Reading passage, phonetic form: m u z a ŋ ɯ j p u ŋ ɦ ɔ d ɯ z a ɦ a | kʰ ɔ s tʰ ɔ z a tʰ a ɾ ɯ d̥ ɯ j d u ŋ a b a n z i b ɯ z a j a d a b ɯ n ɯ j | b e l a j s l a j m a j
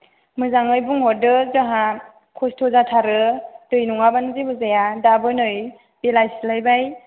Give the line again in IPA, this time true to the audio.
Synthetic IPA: m ɯ z a ŋ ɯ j b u ŋ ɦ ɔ d ɯ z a ɦ a | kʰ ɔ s tʰ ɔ z a tʰ a ɾ ɯ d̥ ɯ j n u ŋ a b a n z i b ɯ z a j a d a b ɯ n ɯ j | b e l a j s l a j b a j